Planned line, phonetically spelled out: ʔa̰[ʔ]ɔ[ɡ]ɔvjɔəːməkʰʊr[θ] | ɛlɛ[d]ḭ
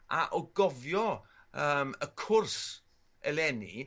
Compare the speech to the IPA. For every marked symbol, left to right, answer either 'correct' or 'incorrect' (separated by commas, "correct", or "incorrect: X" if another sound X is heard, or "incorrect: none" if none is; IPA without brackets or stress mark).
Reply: correct, correct, incorrect: s, incorrect: n